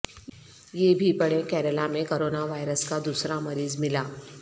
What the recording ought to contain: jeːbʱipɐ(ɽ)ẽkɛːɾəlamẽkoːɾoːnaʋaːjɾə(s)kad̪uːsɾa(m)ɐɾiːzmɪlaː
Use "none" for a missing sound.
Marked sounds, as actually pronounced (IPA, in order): ɽ, s, m

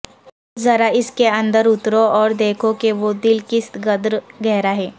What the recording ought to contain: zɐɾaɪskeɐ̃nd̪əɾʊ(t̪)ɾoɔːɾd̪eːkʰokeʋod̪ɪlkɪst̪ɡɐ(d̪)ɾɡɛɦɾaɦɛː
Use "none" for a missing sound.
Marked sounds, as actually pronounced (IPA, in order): t̪, d̪

